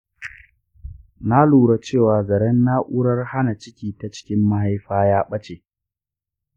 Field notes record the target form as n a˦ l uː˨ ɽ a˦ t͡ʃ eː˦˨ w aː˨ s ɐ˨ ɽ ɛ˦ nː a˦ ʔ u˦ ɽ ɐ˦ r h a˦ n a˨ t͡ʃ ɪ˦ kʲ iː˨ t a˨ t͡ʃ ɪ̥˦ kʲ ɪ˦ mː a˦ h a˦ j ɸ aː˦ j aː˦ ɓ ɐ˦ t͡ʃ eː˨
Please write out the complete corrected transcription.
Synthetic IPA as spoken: n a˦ l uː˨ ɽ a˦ t͡ʃ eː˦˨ w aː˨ z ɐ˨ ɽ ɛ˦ nː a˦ ʔ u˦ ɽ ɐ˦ r h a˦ n a˨ t͡ʃ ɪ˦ kʲ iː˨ t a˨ t͡ʃ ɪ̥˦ kʲ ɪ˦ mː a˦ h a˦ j ɸ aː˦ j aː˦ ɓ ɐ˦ t͡ʃ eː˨

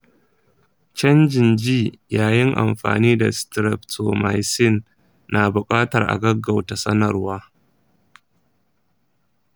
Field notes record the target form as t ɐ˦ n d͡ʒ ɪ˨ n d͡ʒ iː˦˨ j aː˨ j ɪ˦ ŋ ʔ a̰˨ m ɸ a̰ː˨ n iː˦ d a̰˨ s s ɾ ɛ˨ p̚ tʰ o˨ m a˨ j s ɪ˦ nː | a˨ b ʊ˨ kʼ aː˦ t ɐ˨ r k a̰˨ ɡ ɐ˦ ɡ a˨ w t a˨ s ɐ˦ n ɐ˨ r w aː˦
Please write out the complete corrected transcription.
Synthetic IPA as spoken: t͡ʃ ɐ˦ n d͡ʒ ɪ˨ n d͡ʒ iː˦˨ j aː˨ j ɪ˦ ŋ ʔ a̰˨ m ɸ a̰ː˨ n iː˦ d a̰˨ s t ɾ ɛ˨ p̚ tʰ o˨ m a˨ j s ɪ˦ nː | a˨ b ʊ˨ kʼ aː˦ t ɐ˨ r ʔ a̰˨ ɡ ɐ˦ ɡ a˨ w t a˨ s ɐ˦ n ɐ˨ r w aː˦

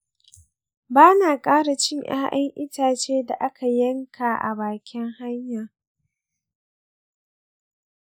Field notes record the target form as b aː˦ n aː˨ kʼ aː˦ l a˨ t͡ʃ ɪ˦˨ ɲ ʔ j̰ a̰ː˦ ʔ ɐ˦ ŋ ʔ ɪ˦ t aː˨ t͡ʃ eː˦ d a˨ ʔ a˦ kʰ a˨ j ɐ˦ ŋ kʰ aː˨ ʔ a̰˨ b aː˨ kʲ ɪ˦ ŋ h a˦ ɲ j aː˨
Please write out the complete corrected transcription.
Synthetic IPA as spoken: b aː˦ n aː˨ kʼ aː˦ ɽ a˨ t͡ʃ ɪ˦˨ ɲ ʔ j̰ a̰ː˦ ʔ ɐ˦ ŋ ʔ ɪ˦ t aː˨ t͡ʃ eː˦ d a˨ ʔ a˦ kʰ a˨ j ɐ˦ ŋ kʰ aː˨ ʔ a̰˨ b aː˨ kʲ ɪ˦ ŋ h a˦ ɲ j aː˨

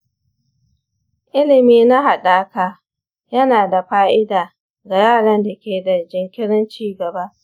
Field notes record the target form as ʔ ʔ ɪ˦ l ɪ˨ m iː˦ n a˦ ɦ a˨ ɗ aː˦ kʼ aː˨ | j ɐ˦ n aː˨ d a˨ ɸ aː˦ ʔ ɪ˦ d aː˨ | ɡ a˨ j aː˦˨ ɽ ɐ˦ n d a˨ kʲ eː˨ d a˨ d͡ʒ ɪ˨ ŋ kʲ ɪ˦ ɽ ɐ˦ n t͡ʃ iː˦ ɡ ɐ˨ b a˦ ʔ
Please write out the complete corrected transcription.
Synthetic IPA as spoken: ʔ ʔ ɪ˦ l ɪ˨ m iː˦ n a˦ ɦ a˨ ɗ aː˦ k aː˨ | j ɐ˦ n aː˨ d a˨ ɸ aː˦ ʔ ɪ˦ d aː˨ | ɡ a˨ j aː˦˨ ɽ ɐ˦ n d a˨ kʲ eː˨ d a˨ d͡ʒ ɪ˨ ŋ kʲ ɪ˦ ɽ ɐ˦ n t͡ʃ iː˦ ɡ ɐ˨ b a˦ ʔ

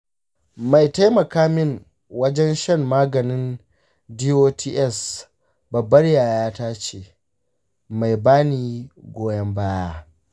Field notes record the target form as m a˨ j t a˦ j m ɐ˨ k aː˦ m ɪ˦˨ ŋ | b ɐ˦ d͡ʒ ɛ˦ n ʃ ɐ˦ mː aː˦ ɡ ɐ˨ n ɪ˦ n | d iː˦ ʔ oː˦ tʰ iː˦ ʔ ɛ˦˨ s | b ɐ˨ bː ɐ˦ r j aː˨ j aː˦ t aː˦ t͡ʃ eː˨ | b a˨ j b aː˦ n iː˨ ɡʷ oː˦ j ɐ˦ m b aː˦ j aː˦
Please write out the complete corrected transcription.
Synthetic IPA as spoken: m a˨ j t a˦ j m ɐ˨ k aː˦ m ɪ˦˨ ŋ | w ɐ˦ d͡ʒ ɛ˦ n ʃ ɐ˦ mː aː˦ ɡ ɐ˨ n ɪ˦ n | d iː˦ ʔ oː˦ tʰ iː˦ ʔ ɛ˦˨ s | b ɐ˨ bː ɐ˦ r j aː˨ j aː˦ t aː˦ t͡ʃ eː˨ | m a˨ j b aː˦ n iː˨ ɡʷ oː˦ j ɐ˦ m b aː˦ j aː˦

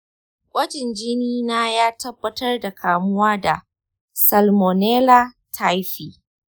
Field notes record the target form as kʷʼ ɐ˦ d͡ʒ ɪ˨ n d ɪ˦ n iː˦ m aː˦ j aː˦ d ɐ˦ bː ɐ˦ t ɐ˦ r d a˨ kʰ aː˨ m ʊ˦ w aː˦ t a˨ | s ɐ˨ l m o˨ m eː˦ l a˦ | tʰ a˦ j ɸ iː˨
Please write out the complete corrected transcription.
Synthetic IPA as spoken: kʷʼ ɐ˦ d͡ʒ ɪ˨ n d͡ʒ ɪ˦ n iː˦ n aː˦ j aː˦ t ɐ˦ bː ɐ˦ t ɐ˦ r d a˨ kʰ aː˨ m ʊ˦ w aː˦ d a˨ | s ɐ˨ l m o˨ n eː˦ l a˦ | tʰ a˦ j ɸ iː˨

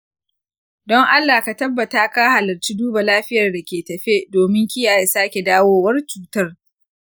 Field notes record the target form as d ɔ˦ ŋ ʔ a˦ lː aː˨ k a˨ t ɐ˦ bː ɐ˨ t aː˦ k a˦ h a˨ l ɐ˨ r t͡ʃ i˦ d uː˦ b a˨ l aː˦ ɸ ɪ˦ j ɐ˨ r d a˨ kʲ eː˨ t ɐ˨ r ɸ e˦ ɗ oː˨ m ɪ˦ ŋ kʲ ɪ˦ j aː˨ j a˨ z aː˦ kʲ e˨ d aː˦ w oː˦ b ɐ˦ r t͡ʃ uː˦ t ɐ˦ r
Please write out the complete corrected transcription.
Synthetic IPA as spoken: d ɔ˦ ŋ ʔ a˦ lː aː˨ k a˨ t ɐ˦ bː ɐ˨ t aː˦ k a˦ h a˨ l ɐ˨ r t͡ʃ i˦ d uː˦ b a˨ l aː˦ ɸ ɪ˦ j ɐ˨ r d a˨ kʲ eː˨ t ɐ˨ ɸ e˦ d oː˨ m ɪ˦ ŋ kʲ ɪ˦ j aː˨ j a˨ s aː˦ kʲ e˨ d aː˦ w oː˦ w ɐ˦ r t͡ʃ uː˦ t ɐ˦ r

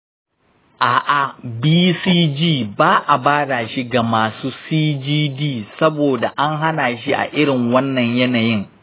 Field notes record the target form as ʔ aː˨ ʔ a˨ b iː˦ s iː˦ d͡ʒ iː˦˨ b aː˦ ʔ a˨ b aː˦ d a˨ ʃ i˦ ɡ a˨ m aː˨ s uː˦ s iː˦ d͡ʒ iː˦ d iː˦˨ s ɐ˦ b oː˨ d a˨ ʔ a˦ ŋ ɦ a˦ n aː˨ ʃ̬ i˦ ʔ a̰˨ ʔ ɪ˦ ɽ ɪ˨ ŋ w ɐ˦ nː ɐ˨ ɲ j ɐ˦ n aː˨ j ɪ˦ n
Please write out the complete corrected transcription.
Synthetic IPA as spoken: ʔ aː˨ ʔ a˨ b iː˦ s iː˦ d͡ʒ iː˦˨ b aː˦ ʔ a˨ b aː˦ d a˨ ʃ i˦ ɡ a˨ m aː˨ s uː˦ s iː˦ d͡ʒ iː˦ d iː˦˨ s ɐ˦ b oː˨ d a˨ ʔ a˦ ŋ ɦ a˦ n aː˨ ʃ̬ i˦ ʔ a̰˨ ʔ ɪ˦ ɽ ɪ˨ ŋ w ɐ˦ nː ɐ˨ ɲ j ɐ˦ n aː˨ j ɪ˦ ŋ

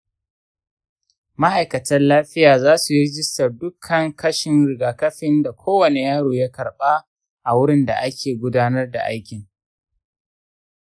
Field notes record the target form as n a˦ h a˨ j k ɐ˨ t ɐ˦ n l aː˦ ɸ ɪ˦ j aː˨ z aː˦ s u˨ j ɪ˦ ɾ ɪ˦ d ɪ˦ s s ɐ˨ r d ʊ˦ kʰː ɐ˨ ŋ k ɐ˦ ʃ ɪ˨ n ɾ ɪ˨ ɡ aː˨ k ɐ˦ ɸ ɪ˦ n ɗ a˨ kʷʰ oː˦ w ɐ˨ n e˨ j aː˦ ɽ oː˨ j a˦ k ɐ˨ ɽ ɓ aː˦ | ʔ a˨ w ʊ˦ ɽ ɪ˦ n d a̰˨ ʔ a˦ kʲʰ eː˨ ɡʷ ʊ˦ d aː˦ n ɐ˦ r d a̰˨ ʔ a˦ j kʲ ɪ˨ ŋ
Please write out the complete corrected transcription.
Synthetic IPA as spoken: m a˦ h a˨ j k ɐ˨ t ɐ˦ n l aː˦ ɸ ɪ˦ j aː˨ z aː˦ s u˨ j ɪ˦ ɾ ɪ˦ d͡ʒ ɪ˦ s t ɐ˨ r d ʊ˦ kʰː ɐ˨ ŋ k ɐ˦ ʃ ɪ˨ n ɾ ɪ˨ ɡ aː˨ k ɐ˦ ɸ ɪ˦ n d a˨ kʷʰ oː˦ w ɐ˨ n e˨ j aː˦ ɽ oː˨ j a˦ k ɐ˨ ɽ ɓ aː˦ | ʔ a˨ w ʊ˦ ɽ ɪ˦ n d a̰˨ ʔ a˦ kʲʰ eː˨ ɡʷ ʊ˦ d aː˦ n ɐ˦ r d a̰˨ ʔ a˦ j kʲ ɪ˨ ŋ

